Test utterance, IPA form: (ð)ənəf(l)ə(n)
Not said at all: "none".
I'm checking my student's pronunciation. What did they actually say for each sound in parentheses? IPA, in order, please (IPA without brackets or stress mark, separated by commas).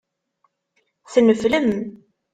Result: θ, l, m